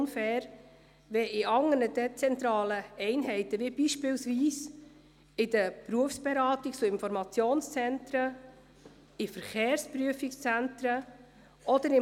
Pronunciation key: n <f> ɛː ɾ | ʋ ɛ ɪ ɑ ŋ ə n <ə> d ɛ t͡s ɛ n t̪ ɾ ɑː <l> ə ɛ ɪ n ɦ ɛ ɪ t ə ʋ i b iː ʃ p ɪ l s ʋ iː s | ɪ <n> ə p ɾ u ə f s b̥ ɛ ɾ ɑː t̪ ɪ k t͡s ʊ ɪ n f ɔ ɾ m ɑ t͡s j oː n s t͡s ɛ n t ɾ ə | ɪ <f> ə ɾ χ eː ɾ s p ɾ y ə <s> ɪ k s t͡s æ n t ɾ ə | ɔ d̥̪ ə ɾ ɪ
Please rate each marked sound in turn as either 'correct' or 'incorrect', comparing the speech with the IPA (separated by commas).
correct, correct, correct, incorrect, correct, incorrect